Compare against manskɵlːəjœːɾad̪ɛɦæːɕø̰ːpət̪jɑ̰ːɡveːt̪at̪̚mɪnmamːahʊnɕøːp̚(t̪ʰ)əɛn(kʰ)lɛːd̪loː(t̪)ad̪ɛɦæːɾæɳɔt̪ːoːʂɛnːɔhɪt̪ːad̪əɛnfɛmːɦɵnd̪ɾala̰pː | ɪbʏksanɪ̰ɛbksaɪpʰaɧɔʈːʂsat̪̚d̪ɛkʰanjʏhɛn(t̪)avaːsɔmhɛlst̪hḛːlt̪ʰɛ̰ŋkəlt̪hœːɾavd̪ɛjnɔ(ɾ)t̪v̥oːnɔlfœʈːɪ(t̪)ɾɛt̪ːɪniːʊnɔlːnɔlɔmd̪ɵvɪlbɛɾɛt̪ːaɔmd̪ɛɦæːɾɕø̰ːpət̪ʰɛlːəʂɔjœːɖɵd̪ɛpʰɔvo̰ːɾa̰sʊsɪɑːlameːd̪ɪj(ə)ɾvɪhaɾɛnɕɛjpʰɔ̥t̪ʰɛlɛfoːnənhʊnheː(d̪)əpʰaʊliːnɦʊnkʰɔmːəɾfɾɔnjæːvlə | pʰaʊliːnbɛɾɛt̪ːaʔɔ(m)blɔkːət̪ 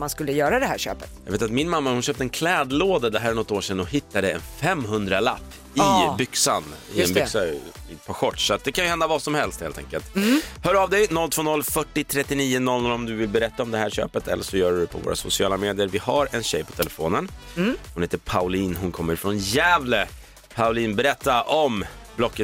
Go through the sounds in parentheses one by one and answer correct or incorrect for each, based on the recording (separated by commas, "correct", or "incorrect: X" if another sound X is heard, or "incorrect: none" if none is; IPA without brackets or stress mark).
incorrect: t̪, correct, incorrect: d̪, incorrect: d̪, incorrect: l, incorrect: t̪ʰ, correct, incorrect: t̪, correct